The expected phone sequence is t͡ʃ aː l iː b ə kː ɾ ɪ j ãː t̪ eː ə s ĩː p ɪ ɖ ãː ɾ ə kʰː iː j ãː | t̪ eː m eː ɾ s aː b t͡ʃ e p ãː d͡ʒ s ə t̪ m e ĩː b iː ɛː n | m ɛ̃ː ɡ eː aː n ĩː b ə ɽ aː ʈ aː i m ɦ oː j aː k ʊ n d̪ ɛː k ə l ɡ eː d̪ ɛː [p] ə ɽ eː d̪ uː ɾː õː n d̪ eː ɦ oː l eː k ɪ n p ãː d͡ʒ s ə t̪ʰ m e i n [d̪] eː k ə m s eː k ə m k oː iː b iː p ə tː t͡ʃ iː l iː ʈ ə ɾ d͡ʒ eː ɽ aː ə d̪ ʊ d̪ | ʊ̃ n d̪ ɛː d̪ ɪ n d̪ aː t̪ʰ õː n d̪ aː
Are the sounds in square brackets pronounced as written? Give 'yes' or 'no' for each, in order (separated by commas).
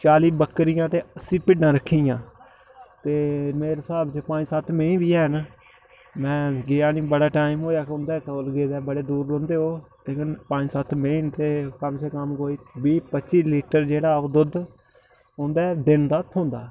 no, no